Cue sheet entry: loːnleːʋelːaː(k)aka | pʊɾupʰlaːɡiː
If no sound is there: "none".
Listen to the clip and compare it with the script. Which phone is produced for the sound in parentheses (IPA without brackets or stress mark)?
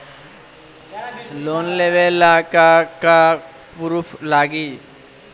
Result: k